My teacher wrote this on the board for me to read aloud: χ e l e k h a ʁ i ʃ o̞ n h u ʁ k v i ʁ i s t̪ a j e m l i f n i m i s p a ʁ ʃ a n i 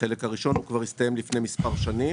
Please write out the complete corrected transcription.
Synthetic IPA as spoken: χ e l e k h a ʁ i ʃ o̞ n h u k v a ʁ i s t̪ a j e m l i f n e m i s p a ʁ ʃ a n i